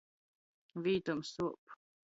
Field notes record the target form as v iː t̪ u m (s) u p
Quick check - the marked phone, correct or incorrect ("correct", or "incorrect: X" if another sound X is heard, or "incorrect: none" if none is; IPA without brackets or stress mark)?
correct